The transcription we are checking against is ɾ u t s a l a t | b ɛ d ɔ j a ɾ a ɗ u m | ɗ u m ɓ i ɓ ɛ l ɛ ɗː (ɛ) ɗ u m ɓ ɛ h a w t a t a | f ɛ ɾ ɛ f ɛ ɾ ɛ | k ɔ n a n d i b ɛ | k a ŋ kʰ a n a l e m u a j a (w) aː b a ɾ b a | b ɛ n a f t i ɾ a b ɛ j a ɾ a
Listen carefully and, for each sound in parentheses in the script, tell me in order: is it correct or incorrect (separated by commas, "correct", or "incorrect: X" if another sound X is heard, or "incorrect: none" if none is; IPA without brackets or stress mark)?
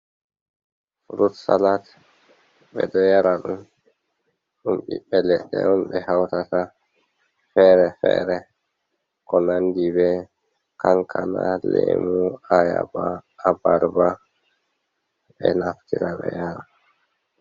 correct, incorrect: b